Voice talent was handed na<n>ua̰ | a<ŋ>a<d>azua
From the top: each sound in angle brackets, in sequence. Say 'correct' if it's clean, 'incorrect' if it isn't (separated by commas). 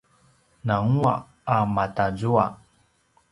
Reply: incorrect, incorrect, incorrect